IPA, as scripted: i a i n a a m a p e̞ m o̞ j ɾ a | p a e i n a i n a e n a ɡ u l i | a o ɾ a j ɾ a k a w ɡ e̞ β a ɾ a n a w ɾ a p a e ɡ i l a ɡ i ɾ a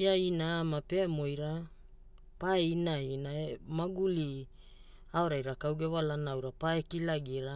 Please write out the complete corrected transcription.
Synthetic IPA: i a i n a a m a p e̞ m o̞ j ɾ a | p a e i n a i n a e m a ɡ u l i | a o ɾ a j ɾ a k a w ɡ e̞ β a l a n a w ɾ a p a e k i l a ɡ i ɾ a